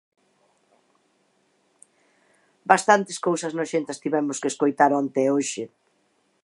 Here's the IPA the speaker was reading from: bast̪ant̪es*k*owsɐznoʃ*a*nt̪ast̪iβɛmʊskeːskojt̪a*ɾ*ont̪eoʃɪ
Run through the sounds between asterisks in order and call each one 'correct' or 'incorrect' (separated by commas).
correct, incorrect, correct